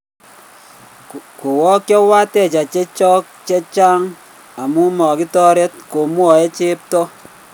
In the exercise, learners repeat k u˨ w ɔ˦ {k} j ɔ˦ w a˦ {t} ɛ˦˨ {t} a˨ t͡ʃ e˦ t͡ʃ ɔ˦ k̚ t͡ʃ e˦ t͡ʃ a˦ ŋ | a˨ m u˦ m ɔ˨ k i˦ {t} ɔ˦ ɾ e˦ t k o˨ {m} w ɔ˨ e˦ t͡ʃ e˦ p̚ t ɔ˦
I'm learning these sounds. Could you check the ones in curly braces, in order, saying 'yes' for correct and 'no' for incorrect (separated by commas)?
yes, yes, no, yes, yes